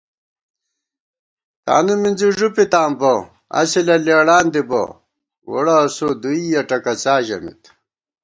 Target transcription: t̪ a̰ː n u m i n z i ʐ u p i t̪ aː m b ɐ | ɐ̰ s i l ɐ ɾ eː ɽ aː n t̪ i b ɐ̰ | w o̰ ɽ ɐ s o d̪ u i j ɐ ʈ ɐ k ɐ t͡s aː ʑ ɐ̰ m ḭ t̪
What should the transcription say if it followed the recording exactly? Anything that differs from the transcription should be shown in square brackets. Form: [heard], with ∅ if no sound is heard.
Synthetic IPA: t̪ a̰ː n u m i n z i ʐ u p i t̪ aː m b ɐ | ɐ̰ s i l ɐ [l] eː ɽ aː n [d̪] i b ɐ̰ | w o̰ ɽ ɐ s o d̪ u i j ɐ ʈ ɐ k ɐ t͡s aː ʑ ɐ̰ m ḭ t̪